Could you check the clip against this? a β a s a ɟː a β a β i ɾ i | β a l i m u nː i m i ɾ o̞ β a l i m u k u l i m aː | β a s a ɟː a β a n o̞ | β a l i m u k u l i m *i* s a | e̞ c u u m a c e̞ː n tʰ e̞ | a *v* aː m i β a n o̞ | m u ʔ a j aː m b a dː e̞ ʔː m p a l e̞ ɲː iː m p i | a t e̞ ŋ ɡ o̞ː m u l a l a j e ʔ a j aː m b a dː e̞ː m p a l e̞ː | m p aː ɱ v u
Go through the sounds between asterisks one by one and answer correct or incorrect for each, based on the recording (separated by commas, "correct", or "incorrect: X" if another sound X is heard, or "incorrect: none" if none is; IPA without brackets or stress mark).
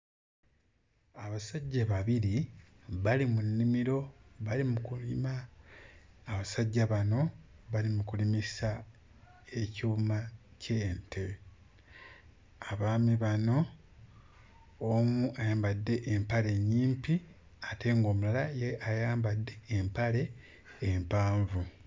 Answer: correct, incorrect: β